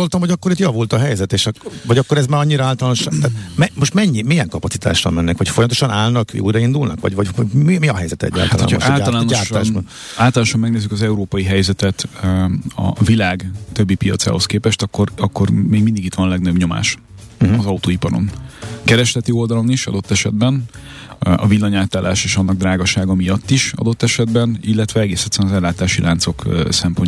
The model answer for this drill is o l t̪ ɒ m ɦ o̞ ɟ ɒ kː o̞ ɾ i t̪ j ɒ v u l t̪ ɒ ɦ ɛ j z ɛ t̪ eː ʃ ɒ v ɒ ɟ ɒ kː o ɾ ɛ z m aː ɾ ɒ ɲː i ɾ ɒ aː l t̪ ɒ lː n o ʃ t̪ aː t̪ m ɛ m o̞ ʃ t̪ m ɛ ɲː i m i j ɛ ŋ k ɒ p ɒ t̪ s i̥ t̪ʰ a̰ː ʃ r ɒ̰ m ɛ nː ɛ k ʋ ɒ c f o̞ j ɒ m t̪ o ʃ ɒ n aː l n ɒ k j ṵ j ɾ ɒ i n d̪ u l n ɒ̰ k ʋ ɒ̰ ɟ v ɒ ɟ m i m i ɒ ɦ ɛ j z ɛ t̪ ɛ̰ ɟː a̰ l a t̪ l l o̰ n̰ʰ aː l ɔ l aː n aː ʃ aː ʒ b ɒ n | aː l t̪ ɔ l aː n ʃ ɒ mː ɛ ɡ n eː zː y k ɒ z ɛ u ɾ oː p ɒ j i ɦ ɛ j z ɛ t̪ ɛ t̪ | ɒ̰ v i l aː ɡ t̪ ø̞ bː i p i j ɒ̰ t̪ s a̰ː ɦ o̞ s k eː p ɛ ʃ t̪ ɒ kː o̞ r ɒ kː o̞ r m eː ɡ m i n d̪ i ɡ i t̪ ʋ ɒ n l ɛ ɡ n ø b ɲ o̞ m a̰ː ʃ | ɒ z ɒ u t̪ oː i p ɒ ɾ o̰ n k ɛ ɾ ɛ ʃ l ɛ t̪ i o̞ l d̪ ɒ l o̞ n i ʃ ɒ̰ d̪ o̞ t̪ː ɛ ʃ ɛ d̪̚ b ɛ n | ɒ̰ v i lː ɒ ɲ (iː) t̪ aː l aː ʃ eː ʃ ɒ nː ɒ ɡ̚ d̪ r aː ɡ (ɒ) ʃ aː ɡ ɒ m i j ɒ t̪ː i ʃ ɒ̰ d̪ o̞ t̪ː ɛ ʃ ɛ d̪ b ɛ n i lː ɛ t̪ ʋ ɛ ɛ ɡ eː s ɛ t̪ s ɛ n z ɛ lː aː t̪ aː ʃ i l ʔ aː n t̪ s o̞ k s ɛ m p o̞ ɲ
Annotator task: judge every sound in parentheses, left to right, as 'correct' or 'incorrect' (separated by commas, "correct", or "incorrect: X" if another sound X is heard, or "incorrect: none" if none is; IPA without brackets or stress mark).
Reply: incorrect: aː, correct